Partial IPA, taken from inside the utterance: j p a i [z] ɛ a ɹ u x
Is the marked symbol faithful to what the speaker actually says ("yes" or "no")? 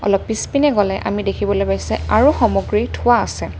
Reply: no